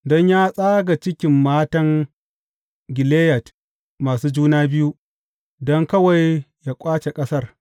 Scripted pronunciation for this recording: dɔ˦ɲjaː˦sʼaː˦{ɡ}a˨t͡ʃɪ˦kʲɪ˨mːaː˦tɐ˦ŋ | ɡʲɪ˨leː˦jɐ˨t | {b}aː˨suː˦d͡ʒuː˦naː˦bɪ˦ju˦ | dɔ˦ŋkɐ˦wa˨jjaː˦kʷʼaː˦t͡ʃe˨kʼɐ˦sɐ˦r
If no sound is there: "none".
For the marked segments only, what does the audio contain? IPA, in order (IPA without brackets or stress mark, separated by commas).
ɡ, m